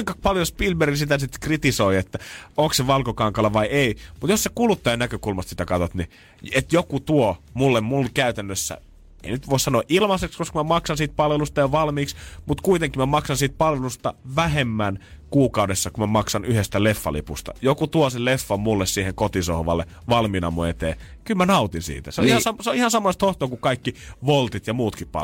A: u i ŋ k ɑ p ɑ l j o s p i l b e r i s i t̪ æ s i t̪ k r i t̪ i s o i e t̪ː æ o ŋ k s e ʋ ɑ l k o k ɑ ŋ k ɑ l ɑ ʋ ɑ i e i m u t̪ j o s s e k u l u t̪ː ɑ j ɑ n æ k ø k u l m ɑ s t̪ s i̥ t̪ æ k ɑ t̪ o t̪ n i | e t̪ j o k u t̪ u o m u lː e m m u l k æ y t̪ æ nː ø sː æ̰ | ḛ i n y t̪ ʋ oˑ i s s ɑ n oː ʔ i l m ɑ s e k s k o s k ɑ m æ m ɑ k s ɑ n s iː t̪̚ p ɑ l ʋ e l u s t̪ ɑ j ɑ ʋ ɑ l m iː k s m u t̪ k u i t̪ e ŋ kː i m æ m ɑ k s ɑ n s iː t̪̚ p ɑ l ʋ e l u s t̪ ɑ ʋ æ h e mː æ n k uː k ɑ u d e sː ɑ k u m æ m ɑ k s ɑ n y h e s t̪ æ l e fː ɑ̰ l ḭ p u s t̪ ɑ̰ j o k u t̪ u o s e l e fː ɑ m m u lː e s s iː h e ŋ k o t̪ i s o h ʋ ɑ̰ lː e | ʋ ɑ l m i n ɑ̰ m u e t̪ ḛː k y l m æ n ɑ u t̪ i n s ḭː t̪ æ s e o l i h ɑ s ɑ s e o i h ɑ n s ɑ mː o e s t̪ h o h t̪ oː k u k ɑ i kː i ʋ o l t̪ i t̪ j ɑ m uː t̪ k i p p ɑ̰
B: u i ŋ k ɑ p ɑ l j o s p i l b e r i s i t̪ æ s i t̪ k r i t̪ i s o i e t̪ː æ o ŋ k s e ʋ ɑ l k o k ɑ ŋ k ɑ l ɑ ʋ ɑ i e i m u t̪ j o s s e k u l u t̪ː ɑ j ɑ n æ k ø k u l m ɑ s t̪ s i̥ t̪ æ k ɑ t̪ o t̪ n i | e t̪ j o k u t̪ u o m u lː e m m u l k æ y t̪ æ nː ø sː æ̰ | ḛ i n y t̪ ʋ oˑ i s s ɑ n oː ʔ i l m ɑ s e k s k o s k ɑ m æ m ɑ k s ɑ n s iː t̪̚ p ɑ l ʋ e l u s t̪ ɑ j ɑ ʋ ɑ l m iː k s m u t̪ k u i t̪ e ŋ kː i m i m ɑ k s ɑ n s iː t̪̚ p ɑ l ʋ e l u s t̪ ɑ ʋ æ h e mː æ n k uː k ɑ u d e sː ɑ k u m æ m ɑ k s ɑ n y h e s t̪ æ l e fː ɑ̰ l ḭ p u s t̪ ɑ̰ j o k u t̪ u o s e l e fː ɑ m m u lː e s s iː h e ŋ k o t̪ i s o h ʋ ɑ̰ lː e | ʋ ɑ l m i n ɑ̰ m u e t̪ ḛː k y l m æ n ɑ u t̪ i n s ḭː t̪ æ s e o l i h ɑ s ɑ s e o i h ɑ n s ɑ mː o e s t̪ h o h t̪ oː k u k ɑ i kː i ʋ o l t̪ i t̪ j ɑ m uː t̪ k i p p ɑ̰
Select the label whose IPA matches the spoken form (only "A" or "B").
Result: A